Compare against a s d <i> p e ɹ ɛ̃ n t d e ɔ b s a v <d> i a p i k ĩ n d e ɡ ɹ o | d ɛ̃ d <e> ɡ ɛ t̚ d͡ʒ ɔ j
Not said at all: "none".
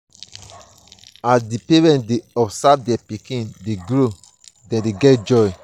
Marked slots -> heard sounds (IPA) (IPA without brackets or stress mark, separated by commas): i, d, e